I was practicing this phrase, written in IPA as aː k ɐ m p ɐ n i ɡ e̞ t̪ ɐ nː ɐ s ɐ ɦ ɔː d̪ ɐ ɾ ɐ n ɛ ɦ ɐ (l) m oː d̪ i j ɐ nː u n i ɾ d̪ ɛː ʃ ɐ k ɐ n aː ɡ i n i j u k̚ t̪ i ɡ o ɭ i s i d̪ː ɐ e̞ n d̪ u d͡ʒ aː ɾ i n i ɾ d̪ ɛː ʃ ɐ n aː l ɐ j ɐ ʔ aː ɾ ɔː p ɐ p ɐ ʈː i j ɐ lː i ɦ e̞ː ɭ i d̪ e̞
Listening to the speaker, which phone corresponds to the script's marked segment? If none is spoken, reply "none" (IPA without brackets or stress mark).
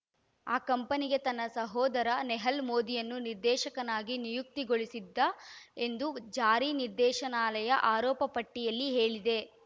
l